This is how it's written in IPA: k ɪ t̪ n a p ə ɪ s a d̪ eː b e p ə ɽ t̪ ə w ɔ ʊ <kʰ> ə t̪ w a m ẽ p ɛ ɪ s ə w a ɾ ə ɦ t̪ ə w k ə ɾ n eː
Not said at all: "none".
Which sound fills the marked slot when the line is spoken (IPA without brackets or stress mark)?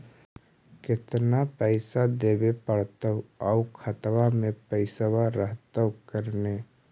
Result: kʰ